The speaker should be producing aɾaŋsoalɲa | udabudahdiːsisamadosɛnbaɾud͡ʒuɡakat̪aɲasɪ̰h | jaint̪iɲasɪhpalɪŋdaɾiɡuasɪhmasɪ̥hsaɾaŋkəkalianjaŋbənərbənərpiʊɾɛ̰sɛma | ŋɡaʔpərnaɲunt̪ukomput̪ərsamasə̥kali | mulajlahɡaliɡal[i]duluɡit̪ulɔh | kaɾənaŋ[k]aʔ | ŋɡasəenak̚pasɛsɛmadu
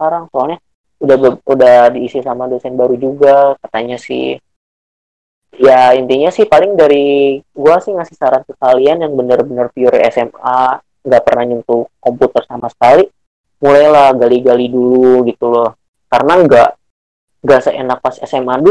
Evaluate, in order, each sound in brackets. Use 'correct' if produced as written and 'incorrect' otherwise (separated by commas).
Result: correct, incorrect